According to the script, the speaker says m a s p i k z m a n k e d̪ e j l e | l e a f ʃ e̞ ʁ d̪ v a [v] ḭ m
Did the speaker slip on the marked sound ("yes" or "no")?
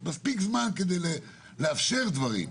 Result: yes